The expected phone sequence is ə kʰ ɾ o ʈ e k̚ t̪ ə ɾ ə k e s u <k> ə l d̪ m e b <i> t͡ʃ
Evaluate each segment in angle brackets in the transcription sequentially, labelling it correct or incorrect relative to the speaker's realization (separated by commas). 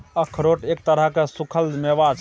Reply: incorrect, incorrect